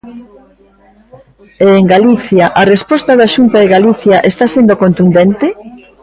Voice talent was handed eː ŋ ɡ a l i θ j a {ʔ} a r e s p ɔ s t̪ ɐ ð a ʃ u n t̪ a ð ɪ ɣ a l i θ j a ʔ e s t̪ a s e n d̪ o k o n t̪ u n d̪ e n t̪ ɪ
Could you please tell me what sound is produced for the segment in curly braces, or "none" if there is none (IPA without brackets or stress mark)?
ʔ